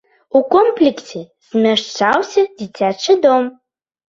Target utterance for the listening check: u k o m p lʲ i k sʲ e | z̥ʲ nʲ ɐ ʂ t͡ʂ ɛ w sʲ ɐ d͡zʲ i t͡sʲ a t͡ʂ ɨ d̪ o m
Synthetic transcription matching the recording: u k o m p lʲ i k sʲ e | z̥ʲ mʲ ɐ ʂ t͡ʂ a w sʲ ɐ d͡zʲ i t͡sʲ a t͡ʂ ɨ d̪ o m

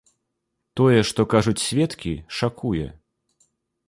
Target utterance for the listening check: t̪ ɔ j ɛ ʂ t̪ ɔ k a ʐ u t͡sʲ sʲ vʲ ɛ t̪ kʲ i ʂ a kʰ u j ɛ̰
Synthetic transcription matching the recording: t̪ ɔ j ɛ ʂ t̪ ɔ k a ʐ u t͡sʲ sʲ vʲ ɛ t̪ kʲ i ʂ a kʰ u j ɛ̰

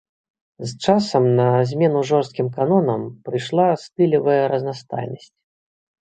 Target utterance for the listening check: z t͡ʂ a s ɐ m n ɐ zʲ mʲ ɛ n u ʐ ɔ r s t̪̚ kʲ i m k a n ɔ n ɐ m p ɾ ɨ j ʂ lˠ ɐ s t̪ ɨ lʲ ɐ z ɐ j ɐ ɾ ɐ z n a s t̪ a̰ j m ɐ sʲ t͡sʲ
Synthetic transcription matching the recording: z t͡ʂ a s ɐ m n ɐ zʲ mʲ ɛ n u ʐ ɔ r s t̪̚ kʲ i m k a n ɔ n ɐ m p ɾ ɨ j ʂ lˠ a s t̪ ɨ lʲ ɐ v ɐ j ɐ ɾ ɐ z n a s t̪ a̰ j n ɐ sʲ t͡sʲ

